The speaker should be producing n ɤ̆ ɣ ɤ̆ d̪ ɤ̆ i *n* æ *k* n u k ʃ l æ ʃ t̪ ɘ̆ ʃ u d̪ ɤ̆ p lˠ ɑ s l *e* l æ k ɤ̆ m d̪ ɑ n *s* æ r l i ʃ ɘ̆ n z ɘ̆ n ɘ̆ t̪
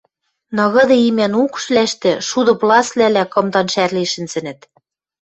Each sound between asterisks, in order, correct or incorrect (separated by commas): incorrect, incorrect, incorrect, incorrect